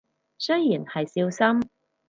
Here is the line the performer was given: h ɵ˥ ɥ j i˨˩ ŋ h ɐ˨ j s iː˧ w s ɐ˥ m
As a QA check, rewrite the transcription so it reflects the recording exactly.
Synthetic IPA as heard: s ɵ˥ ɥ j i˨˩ n h ɐ˨ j s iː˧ w s ɐ˥ m